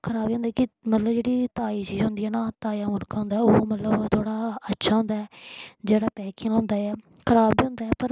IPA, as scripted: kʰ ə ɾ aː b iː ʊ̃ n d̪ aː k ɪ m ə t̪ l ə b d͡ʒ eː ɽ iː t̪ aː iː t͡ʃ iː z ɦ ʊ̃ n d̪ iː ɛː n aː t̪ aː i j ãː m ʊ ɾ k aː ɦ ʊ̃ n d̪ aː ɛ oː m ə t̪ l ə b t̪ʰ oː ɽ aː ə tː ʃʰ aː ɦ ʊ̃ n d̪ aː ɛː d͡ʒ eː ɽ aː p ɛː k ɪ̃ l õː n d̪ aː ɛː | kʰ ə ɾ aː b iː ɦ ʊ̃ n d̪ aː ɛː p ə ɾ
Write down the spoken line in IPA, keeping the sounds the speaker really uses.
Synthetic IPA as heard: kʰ ə ɾ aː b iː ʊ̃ n d̪ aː k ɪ m ə t̪ l ə b d͡ʒ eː ɽ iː t̪ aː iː t͡ʃ iː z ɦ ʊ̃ n d̪ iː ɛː n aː t̪ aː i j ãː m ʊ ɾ k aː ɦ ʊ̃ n d̪ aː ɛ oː m ə t̪ l ə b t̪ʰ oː ɽ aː ə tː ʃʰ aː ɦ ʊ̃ n d̪ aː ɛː d͡ʒ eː ɽ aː p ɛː k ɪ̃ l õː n d̪ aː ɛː | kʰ ə ɾ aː b iː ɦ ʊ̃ n d̪ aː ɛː p ə ɾ